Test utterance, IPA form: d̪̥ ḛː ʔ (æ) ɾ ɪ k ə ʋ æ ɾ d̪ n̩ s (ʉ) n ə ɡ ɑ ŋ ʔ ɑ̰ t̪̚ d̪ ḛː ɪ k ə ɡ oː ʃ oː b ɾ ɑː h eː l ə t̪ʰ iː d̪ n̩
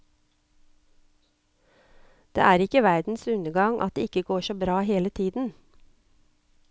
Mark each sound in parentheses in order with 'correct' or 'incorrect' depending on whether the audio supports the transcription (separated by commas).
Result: incorrect, correct